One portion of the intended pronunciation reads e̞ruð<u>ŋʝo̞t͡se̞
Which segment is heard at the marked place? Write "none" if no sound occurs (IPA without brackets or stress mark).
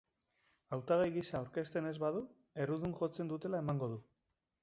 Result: u